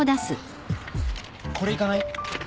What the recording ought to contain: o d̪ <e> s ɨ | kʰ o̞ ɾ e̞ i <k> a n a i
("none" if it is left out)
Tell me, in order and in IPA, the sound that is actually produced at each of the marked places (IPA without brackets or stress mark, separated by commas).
a, k